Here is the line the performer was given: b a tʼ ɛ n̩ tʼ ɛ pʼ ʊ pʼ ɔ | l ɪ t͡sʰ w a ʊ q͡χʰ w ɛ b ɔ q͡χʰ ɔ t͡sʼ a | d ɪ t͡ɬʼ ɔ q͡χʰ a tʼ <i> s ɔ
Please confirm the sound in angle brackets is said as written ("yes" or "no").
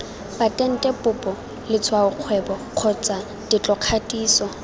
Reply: no